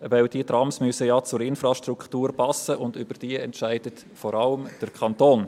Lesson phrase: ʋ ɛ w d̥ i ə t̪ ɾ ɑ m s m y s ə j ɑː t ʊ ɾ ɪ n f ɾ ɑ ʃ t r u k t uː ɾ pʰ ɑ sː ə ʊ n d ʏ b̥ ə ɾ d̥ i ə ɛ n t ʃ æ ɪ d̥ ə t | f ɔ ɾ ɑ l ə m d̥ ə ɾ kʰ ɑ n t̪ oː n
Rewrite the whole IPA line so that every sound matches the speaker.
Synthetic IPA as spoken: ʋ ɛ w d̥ i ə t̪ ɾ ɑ m s m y s ə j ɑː t͡s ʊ ɾ ɪ n f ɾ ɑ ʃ t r u k t uː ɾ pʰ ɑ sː ə ʊ n d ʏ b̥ ə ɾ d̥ i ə ɛ n t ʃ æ ɪ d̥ ə t | f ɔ ɾ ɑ l ə m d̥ ə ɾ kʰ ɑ n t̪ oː n